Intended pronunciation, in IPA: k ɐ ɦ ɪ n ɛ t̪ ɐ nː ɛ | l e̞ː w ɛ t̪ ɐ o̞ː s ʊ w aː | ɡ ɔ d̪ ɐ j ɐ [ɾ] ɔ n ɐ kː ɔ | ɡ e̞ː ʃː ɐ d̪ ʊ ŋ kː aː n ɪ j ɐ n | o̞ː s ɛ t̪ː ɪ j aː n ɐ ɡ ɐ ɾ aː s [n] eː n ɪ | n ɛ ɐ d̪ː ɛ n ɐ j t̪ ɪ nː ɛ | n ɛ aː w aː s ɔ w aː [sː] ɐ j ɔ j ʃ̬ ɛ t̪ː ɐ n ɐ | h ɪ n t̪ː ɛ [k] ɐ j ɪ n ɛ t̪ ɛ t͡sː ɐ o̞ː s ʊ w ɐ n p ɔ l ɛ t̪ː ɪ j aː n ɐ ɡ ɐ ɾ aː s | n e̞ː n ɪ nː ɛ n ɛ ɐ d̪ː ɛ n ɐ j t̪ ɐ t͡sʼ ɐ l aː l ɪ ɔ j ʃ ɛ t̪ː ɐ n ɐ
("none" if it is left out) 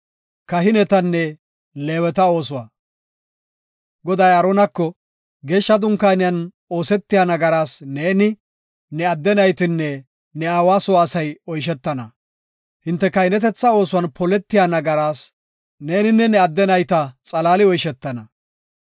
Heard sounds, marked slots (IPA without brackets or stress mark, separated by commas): ɾ, n, s, k